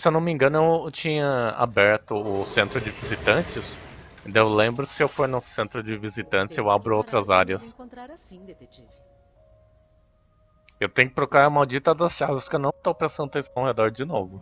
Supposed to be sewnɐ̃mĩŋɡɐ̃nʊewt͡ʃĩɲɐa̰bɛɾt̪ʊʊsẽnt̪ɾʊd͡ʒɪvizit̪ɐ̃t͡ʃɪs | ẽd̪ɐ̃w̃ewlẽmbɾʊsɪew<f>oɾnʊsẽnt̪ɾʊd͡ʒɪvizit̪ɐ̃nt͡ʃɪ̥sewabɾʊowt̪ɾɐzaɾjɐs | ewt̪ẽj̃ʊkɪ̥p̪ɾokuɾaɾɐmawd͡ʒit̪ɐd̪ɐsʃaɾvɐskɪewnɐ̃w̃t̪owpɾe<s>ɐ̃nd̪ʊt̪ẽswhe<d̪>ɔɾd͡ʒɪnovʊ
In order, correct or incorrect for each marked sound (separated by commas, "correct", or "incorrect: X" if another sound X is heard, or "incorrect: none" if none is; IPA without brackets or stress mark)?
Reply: correct, correct, correct